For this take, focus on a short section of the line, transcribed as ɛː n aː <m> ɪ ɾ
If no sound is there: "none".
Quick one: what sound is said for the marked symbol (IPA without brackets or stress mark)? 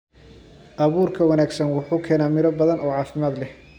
m